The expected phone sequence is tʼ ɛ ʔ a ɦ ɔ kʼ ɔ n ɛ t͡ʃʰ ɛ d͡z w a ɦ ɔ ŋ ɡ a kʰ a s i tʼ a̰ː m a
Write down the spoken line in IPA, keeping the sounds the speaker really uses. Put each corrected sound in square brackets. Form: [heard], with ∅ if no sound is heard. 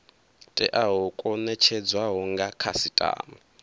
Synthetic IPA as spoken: tʼ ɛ ʔ a ɦ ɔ kʼ ɔ n ɛ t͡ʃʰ ɛ d͡z w a ɦ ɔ ŋ ɡ a kʰ a s i tʼ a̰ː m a